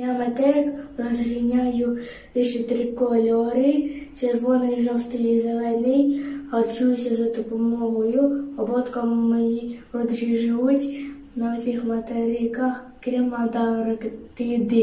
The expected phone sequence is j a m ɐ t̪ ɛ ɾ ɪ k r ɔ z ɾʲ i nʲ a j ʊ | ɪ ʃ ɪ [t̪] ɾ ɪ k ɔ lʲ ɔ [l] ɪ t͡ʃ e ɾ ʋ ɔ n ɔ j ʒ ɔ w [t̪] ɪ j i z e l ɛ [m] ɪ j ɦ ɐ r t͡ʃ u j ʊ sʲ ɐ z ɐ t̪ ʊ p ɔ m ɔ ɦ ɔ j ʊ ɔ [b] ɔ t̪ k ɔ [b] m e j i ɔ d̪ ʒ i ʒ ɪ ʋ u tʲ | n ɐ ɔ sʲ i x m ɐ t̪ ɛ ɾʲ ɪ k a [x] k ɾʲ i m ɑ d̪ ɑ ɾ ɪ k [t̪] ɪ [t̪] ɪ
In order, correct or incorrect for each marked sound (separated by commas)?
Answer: correct, incorrect, correct, incorrect, correct, incorrect, correct, correct, incorrect